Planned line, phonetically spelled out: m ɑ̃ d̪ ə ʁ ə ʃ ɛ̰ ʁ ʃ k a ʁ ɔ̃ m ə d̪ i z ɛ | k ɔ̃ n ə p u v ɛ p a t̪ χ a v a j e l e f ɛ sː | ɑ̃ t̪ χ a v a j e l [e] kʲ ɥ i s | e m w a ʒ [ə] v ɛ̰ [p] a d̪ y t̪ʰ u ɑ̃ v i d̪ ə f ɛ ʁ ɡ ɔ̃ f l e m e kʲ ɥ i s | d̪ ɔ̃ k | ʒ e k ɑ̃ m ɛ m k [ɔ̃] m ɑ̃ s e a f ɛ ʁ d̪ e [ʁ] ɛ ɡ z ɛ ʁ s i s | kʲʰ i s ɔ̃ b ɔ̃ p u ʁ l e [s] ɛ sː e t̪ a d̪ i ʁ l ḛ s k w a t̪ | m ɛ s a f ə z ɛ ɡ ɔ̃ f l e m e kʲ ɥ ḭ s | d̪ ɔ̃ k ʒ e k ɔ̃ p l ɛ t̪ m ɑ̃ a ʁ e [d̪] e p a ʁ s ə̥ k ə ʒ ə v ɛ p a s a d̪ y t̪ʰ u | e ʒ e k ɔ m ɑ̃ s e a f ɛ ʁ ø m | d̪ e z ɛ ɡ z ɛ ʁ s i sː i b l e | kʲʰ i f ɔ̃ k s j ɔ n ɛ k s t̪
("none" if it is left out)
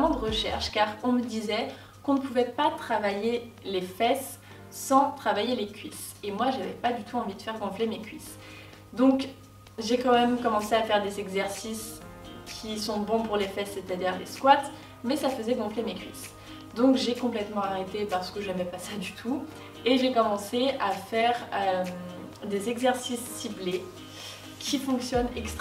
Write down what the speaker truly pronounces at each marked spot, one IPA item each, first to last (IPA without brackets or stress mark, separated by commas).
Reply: e, a, p, ɔ, z, f, t̪